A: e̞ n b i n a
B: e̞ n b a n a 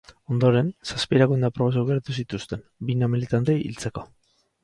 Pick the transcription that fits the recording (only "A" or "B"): A